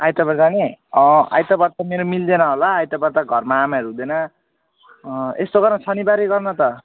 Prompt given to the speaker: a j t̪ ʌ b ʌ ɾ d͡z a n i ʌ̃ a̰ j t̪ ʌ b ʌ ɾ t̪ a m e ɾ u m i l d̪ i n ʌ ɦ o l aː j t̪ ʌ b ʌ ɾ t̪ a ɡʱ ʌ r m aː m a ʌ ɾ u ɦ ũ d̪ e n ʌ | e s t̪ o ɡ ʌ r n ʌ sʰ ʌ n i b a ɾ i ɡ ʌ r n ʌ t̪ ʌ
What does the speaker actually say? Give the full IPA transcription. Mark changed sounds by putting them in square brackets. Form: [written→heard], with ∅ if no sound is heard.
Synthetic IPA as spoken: a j t̪ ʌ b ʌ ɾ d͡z a n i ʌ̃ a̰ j t̪ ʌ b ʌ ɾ t̪ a m e ɾ [u→o] m i l d̪ [i→e] n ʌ ɦ o l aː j t̪ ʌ b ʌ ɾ t̪ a ɡʱ ʌ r m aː m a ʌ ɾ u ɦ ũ d̪ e n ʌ | e s t̪ o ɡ ʌ r n ʌ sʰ ʌ n i b a ɾ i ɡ ʌ r n ʌ t̪ ʌ